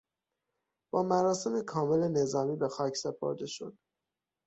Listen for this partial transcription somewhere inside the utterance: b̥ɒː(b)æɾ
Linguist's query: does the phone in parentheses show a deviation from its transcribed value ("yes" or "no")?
yes